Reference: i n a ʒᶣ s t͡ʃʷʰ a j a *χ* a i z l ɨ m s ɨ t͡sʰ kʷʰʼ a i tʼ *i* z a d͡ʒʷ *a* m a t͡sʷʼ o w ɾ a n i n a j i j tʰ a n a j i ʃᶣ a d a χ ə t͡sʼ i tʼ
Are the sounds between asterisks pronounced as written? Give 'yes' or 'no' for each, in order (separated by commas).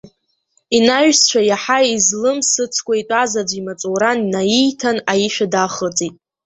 no, no, no